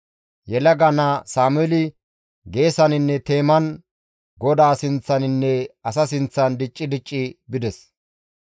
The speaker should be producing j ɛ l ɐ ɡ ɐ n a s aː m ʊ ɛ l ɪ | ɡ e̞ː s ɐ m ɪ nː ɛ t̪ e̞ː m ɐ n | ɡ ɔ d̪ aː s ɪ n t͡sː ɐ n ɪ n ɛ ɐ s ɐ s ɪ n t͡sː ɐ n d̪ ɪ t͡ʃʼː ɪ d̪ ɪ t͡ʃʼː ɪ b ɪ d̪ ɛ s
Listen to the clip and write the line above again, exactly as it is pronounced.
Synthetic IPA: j ɛ l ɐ ɡ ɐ n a s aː m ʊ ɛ l ɪ | ɡ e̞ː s ɐ n ɪ nː ɛ t̪ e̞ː m ɐ n | ɡ ɔ d̪ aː s ɪ n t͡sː ɐ n ɪ nː ɛ ɐ s ɐ s ɪ n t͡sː ɐ n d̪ ɪ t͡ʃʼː ɪ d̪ ɪ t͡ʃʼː ɪ b ɪ d̪ ɛ s